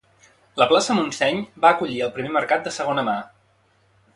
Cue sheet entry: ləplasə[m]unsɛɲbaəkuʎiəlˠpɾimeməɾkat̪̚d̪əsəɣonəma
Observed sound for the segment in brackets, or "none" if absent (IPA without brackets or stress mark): m